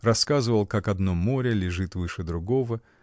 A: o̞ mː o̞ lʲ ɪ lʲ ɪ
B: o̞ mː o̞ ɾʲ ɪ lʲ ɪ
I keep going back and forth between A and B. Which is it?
B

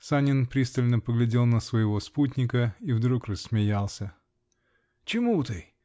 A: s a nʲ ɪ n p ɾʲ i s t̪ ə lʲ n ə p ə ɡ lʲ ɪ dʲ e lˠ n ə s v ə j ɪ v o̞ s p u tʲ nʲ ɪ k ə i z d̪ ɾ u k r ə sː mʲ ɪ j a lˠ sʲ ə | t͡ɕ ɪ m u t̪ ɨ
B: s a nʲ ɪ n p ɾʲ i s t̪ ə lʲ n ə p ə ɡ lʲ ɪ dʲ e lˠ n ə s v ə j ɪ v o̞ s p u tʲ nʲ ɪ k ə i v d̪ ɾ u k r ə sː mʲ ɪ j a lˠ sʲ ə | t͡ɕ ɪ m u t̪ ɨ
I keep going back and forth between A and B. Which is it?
B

